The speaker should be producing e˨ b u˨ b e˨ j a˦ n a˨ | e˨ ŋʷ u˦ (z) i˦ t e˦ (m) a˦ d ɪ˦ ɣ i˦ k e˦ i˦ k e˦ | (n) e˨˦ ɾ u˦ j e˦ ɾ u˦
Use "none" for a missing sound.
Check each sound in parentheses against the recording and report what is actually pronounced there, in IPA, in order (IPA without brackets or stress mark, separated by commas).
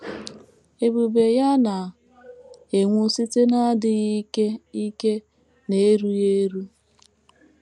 s, n, n